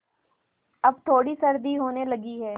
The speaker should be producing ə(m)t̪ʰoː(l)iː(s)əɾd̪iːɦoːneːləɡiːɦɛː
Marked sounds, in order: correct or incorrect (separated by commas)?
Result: incorrect, incorrect, correct